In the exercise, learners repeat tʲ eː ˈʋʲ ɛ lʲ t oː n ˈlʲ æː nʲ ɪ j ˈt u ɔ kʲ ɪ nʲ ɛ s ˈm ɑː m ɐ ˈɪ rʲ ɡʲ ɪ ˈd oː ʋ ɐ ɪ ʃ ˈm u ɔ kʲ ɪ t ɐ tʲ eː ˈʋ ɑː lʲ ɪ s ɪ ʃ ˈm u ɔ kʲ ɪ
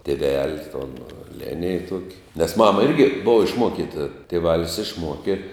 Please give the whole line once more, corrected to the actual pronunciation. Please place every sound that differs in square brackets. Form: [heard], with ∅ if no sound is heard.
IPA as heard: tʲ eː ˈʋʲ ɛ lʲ t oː n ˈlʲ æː nʲ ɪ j ˈt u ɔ kʲ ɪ nʲ ɛ s ˈm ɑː m ɐ ˈɪ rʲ ɡʲ ɪ [ˈb] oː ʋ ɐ ɪ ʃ ˈm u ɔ kʲ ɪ t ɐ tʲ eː ˈʋ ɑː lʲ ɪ s ɪ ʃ ˈm u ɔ kʲ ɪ